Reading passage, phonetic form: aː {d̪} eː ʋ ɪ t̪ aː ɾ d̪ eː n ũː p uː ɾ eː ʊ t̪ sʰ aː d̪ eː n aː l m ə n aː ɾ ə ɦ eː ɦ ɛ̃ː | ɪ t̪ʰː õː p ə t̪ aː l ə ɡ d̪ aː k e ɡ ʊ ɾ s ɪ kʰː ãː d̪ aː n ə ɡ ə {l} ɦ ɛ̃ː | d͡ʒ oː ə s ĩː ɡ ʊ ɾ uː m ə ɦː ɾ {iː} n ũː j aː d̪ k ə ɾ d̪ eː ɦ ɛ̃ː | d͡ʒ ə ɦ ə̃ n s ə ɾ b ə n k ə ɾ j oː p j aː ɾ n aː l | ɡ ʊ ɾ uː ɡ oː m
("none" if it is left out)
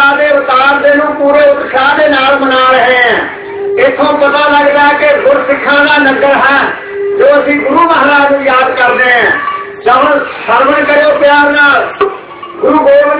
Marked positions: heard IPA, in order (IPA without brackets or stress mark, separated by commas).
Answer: d̪, ɾ, aː